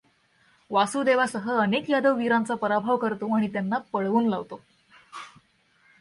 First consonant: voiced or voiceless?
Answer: voiced